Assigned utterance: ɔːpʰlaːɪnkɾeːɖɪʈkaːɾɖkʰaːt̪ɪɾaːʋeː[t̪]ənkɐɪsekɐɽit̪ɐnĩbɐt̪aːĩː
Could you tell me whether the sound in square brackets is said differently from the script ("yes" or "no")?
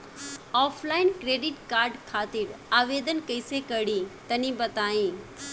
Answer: yes